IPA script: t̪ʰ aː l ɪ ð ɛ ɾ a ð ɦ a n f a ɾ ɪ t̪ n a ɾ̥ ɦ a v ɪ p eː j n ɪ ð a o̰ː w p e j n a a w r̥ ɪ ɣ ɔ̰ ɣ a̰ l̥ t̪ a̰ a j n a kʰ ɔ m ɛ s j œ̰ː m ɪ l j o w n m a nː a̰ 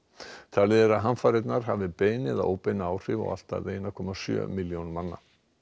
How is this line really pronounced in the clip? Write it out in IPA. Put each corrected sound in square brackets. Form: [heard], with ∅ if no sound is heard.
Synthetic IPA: t̪ʰ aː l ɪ ð ɛ ɾ a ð ɦ a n f a ɾ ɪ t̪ n a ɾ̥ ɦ a v ɪ p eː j n ɪ ð a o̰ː w p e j n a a w r̥ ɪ [v] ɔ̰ ɣ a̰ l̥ t̪ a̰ [e] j n a kʰ ɔ m [a] s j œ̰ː m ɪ l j o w n m a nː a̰